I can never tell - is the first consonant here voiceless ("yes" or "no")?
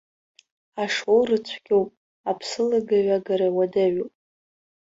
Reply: yes